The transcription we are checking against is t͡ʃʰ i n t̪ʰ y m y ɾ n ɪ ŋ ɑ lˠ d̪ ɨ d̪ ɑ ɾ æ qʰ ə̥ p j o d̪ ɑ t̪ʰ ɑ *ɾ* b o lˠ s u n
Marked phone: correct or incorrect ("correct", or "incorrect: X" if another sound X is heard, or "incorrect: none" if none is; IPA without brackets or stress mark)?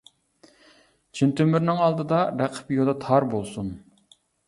correct